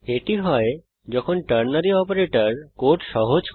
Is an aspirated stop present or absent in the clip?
present